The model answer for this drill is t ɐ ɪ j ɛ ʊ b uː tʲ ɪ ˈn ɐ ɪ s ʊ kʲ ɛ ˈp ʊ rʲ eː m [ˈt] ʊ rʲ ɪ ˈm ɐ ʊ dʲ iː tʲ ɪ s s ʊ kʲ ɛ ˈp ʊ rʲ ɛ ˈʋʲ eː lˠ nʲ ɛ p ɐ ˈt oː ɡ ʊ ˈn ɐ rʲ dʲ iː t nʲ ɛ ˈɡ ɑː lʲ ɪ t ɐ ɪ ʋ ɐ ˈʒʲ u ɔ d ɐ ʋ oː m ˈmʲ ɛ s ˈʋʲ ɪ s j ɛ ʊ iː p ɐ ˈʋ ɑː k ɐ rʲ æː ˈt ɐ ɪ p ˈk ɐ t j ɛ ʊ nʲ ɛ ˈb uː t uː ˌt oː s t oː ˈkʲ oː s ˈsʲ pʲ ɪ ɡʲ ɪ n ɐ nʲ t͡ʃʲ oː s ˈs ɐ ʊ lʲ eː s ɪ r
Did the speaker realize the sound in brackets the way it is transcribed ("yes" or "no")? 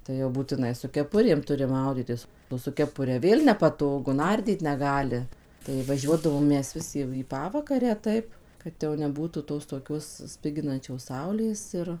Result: yes